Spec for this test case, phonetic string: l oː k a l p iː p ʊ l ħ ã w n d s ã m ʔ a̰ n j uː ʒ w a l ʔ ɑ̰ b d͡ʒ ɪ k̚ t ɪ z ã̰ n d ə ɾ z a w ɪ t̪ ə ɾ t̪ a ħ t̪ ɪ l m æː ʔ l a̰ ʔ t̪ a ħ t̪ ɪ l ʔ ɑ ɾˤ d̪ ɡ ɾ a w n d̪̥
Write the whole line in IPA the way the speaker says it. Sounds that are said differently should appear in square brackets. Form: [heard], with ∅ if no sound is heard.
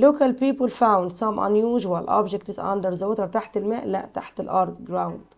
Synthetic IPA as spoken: l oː k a l p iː p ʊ l [f] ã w n d s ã m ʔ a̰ n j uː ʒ w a l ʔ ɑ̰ b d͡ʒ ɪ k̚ t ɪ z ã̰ n d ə ɾ z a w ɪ t̪ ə ɾ t̪ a ħ t̪ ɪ l m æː ʔ l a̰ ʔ t̪ a ħ t̪ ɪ l ʔ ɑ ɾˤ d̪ ɡ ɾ a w n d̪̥